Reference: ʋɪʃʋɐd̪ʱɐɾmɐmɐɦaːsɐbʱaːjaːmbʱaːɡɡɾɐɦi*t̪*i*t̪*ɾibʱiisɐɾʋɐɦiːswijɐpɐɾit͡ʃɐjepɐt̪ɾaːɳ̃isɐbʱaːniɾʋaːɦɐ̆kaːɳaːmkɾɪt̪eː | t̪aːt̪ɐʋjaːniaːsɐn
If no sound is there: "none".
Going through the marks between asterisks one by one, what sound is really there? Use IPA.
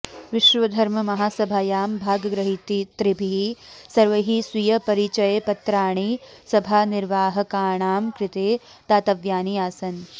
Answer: t̪, t̪

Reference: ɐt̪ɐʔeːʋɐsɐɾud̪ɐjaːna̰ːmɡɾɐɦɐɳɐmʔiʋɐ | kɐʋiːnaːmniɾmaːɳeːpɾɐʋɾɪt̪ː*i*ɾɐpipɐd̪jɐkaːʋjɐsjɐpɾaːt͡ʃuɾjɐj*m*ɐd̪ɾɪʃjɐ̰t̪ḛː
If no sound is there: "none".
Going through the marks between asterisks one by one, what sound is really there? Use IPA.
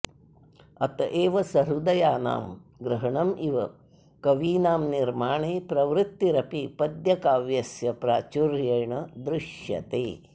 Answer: i, ɳ

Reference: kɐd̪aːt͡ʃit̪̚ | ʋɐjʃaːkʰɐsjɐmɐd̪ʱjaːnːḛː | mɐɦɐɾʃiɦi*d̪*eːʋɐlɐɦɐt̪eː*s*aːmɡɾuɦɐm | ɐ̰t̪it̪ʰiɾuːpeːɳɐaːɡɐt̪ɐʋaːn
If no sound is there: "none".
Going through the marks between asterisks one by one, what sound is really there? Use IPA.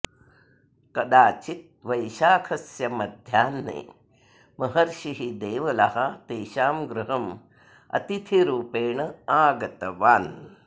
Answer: d̪, ʃ

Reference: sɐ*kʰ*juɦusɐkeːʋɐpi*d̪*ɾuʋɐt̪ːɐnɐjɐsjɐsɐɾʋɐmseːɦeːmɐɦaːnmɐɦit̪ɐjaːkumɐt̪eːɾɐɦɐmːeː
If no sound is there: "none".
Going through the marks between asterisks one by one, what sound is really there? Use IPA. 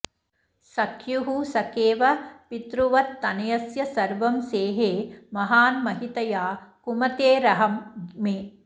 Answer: kʰ, t̪

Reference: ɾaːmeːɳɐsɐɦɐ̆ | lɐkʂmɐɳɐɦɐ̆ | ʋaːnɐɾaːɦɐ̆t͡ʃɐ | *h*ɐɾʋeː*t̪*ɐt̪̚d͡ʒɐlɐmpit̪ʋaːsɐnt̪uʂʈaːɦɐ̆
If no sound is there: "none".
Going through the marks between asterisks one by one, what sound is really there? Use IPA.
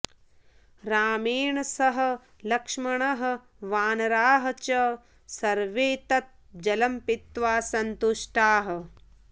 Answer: s, t̪

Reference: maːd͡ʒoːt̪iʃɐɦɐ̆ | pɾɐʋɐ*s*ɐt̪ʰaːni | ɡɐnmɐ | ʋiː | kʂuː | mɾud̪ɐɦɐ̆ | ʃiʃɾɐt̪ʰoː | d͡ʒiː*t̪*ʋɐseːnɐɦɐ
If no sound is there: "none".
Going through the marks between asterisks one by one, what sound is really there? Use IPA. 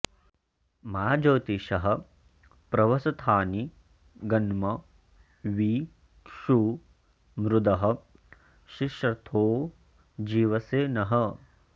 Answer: s, none

